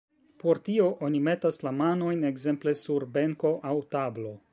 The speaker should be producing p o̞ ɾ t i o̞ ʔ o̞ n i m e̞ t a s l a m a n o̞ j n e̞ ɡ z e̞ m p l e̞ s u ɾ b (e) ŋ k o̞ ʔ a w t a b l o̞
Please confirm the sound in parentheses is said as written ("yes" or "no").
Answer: yes